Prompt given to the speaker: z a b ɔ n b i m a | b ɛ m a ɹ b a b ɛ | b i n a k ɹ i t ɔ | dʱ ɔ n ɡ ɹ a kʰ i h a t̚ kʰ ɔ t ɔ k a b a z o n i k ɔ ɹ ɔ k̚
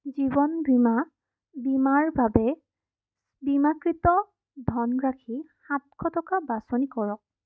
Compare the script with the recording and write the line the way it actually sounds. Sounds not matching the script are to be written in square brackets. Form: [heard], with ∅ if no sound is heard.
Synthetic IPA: z [i] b ɔ n b i m a | b [i] m a ɹ b a b ɛ | b i [m] a k ɹ i t ɔ | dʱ ɔ n ɡ ɹ a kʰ i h a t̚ kʰ ɔ t ɔ k a b a [s] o n i k ɔ ɹ ɔ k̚